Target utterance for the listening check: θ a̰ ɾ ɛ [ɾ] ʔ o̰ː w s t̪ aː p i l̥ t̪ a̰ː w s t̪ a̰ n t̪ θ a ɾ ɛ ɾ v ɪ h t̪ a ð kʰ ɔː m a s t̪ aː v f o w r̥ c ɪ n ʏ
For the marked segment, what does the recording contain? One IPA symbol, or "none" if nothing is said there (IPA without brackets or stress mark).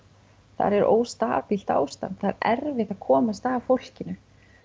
ɾ